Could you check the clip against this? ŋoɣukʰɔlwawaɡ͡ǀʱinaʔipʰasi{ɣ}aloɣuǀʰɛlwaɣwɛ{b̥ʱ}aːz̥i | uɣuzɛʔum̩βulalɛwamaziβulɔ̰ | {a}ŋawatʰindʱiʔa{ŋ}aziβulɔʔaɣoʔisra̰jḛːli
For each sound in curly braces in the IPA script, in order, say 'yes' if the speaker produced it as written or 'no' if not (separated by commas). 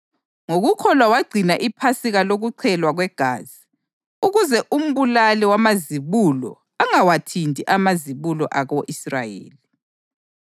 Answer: yes, no, yes, no